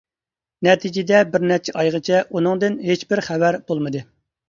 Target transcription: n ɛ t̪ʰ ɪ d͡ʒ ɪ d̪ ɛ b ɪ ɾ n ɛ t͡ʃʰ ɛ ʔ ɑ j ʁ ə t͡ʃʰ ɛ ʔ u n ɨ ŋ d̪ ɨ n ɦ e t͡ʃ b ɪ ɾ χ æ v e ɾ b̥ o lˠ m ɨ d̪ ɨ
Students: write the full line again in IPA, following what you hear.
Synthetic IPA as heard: n ɛ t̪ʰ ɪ d͡ʒ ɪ d̪ ɛ b ɪ ɾ n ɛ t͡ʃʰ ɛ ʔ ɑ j ʁ ə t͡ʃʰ ɛ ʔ u n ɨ ŋ d̪ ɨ n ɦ e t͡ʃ b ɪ ɾ χ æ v æ ɾ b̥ o lˠ m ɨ d̪ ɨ

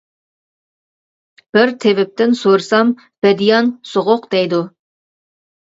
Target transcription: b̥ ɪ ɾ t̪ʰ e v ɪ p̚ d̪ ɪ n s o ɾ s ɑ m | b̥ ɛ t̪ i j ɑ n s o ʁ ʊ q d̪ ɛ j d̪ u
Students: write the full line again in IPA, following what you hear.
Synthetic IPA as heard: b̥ ɪ ɾ t̪ʰ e v ɪ p̚ t̪ ɪ n s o ɾ s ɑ m | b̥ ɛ d̪ i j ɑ n s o ʁ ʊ q d̪ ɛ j d̪ u

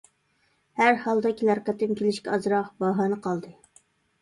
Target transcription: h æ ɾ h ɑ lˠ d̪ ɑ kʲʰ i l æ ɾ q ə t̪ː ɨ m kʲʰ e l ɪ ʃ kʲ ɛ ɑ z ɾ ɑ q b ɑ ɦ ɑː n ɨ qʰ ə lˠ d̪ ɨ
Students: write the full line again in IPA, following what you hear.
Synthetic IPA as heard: h æ ɾ h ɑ lˠ d̪ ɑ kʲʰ i l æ ɾ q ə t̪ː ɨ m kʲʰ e l ɪ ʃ kʲ ɛ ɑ z ɾ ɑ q b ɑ ɦ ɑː n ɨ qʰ ɑ lˠ d̪ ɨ

